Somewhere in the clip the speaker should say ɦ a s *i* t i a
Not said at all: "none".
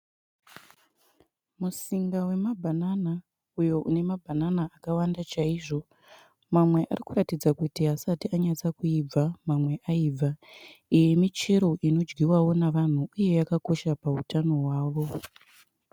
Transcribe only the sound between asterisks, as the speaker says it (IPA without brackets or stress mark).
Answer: a